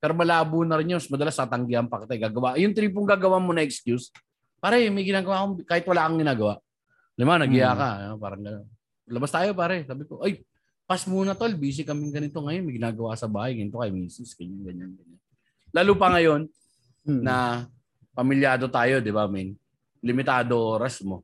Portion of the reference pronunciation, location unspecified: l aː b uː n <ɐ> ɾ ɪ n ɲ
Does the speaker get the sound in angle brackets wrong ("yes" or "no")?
no